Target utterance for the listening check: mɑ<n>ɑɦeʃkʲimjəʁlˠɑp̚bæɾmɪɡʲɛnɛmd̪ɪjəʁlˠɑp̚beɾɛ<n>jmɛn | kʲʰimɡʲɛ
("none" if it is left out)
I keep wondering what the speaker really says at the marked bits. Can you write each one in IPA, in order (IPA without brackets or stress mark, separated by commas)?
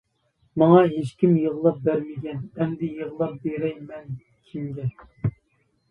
ŋ, none